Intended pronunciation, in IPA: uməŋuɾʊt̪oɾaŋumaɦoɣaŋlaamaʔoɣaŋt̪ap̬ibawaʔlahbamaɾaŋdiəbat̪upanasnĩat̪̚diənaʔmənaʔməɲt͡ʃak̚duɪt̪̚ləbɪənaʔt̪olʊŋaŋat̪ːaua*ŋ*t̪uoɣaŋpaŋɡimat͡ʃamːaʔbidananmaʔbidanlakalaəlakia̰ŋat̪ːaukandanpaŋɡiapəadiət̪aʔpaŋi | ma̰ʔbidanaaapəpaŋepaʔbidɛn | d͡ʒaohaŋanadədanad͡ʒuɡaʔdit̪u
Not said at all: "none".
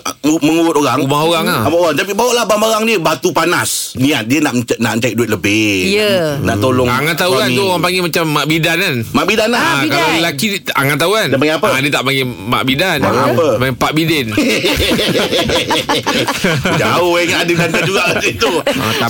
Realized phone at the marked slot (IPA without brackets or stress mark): n